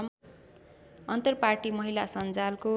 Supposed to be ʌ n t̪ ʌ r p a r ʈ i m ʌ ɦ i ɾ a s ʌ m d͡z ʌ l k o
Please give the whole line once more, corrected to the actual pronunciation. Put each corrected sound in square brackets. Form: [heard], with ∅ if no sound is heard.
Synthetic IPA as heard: ʌ n t̪ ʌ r p a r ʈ i m ʌ ɦ i [l] a s ʌ [n] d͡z [a] l k o